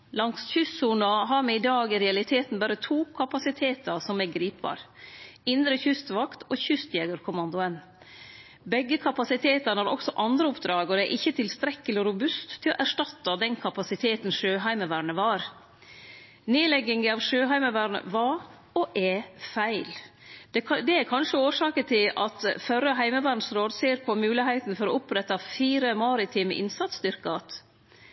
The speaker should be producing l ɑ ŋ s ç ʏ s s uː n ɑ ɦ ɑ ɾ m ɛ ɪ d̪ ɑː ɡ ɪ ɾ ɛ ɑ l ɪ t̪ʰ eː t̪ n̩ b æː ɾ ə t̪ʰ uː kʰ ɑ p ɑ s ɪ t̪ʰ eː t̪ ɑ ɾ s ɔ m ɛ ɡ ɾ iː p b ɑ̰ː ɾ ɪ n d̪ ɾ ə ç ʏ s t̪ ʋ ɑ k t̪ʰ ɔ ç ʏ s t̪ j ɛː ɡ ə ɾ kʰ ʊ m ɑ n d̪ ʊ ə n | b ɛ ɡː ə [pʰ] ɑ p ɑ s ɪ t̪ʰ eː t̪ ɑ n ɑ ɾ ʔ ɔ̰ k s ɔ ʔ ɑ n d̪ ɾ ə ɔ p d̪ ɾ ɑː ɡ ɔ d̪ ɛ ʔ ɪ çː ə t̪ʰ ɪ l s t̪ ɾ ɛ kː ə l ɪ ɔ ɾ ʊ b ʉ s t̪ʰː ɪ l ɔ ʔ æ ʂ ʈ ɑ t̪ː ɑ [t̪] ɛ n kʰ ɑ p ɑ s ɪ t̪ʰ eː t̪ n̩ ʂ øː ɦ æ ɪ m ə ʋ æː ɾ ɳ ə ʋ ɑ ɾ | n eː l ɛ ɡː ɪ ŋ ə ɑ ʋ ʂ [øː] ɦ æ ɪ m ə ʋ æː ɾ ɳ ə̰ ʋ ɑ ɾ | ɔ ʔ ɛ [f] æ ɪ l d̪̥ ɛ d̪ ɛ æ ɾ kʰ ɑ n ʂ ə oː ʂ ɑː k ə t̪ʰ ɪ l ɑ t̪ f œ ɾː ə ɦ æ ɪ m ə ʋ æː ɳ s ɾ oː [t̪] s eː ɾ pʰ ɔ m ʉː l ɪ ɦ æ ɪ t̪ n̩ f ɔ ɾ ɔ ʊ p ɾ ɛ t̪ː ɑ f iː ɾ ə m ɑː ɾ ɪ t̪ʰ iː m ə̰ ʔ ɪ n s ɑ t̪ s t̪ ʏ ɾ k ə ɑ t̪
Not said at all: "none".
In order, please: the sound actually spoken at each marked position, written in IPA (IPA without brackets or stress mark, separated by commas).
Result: kʰ, d̪, øː, f, d̪